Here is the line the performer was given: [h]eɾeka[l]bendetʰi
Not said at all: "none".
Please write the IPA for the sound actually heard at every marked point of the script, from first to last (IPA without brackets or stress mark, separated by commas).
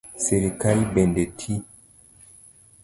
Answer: s, l